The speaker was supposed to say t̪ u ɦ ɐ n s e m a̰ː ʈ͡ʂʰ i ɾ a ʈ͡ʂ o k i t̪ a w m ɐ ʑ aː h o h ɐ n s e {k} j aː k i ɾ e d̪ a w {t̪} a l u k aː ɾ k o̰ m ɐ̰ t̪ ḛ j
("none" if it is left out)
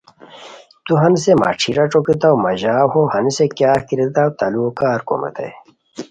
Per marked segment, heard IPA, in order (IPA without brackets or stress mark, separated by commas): k, t̪